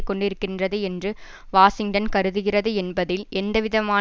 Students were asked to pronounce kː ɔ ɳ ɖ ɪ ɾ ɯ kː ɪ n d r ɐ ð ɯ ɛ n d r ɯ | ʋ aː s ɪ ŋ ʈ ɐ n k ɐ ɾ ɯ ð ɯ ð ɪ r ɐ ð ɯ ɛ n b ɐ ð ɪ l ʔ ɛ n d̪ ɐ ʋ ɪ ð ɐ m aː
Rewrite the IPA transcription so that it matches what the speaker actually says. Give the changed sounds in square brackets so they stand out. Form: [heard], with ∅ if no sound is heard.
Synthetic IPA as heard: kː ɔ ɳ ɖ ɪ ɾ ɯ kː ɪ n d r ɐ ð ɯ ɛ n d r ɯ | ʋ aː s ɪ ŋ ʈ ɐ n k ɐ ɾ ɯ ð ɯ [ɣ] ɪ r ɐ ð ɯ ɛ n b ɐ ð ɪ l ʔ ɛ n d̪ ɐ ʋ ɪ ð ɐ m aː